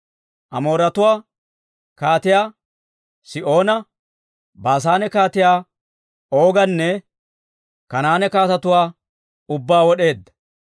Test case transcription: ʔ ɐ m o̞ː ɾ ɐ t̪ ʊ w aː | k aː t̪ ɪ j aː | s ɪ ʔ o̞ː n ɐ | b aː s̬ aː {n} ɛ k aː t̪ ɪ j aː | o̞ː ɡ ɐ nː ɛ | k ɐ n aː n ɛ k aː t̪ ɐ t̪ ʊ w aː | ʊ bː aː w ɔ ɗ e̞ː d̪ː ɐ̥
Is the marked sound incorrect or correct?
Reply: correct